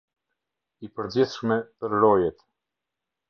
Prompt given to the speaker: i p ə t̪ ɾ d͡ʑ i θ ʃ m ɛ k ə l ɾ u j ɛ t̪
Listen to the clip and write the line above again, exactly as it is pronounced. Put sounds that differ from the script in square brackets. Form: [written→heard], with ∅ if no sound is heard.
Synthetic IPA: i p ə [t̪→∅] ɾ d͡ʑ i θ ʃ m ɛ [k→p] ə [l→ɾ] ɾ [u→ɔ] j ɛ t̪